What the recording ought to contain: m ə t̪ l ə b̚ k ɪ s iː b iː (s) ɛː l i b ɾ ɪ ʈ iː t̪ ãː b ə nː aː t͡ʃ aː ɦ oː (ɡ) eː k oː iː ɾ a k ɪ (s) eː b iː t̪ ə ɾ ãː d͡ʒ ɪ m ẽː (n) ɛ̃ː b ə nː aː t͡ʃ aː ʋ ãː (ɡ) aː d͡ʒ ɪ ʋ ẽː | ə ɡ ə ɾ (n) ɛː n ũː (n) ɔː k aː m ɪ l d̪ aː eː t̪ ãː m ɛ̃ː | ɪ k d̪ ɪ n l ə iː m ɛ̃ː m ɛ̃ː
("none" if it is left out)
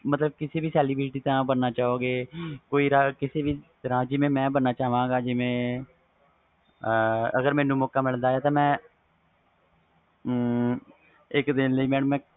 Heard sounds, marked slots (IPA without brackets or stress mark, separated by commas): s, ɡ, s, m, ɡ, m, m